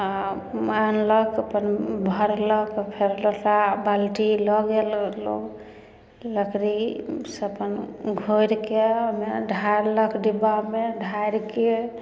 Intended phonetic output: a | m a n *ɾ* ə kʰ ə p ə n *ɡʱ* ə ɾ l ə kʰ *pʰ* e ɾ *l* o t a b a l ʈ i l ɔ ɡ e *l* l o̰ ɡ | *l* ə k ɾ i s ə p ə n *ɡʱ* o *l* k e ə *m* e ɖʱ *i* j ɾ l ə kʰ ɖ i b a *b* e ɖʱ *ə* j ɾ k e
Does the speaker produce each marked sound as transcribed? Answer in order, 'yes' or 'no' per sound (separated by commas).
no, no, yes, yes, yes, yes, yes, no, yes, no, no, no